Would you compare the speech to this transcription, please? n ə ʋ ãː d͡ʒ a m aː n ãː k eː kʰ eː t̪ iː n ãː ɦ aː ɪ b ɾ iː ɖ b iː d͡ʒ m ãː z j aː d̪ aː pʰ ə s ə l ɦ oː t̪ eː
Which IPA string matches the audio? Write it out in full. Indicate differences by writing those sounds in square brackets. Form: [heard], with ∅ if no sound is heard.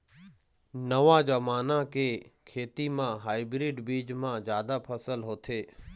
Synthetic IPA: n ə ʋ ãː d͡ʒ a m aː n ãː k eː kʰ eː t̪ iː [m] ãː ɦ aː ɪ b ɾ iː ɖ b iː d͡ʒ m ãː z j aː d̪ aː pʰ ə s ə l ɦ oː [t̪ʰ] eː

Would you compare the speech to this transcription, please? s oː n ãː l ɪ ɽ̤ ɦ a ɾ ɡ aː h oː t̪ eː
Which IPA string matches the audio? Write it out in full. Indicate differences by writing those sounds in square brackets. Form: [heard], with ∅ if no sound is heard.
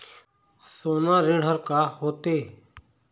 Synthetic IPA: s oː n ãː [ɾ] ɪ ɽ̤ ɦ [ə] ɾ [k] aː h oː t̪ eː

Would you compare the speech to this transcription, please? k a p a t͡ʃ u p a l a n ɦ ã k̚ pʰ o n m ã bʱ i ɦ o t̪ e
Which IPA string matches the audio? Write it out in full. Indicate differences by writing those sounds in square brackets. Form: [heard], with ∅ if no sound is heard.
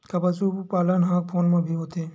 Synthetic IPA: k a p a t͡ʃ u p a l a n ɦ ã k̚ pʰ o n m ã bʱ i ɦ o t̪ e

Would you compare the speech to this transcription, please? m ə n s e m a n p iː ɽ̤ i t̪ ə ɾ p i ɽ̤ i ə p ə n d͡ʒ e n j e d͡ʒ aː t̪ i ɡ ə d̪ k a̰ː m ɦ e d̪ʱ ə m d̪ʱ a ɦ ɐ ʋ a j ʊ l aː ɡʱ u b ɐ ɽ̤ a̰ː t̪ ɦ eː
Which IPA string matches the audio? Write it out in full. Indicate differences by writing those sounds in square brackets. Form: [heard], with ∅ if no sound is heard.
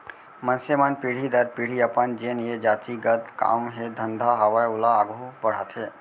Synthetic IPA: m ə n s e m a n p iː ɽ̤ i [d̪] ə ɾ p i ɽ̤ i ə p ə n d͡ʒ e n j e d͡ʒ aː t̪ i ɡ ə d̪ k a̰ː m ɦ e d̪ʱ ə [n] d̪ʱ a ɦ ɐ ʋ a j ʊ l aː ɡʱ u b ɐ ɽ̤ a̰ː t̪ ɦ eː

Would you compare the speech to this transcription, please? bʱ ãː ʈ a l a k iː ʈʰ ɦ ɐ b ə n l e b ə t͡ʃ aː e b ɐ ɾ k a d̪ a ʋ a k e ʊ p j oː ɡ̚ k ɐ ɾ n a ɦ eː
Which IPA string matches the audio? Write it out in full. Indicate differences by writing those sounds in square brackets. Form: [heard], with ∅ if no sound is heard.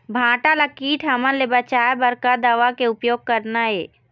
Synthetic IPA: bʱ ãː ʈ a l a k iː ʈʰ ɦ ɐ [m] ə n l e b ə t͡ʃ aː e b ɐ ɾ k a d̪ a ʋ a k e ʊ p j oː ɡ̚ k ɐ ɾ n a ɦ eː

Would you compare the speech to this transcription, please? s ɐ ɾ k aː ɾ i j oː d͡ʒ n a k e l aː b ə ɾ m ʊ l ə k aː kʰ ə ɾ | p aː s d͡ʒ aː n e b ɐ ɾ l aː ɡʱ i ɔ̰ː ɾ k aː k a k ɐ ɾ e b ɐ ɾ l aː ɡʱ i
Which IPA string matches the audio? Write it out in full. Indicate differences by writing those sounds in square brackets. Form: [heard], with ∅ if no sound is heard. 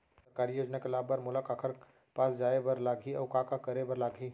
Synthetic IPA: s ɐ ɾ k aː ɾ i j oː d͡ʒ n a k e l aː b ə ɾ m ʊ l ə k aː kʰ ə ɾ | p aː s d͡ʒ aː [∅] e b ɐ ɾ l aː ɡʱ i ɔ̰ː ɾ k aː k a k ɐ ɾ e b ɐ ɾ l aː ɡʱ i

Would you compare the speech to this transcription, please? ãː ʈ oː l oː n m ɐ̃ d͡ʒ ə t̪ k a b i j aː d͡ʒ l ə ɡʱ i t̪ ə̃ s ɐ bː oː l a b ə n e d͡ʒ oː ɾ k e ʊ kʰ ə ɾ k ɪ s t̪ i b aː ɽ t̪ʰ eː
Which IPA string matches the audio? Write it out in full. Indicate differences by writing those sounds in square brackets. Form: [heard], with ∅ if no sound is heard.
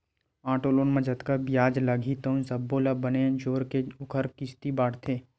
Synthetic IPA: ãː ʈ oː l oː n m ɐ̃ d͡ʒ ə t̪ k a b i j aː d͡ʒ l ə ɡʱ i t̪ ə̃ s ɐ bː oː l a b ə n e d͡ʒ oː ɾ k e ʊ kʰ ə ɾ k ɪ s t̪ i b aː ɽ t̪ʰ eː

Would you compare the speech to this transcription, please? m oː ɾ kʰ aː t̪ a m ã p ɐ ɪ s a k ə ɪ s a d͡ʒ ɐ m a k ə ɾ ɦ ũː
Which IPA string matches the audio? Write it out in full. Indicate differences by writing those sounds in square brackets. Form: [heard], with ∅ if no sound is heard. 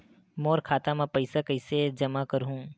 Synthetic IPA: m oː ɾ kʰ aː t̪ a m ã p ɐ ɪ s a k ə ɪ s [e] d͡ʒ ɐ m a k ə ɾ ɦ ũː

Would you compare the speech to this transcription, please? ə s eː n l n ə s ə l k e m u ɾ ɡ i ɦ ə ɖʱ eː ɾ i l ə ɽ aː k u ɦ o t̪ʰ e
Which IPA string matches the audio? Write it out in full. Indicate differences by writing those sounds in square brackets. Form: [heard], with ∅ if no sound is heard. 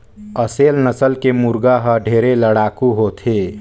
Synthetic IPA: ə s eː [∅] l n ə s ə l k e m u ɾ ɡ [a] ɦ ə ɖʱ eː ɾ [e] l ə ɽ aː k u ɦ o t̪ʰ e

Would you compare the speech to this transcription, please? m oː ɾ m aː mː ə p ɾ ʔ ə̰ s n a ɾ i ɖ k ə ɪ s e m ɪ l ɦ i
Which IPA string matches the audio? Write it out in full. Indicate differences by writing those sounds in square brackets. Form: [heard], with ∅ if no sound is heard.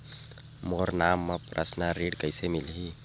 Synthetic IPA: m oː ɾ [n] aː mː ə p ɾ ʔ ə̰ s n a ɾ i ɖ k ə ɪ s e m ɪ l ɦ i

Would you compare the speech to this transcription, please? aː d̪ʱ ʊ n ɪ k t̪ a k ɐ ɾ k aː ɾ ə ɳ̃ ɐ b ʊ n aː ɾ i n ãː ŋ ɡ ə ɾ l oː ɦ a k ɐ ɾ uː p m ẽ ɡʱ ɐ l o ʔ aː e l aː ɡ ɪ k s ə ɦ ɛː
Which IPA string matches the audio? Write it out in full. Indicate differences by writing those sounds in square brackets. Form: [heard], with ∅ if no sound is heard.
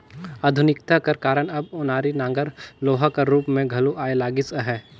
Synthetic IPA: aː d̪ʱ ʊ n ɪ k t̪ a k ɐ ɾ k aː ɾ ə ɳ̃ ɐ b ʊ n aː ɾ i n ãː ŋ ɡ ə ɾ l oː ɦ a k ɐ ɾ uː p m ẽ ɡʱ ɐ l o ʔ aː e l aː ɡ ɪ [∅] s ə ɦ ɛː

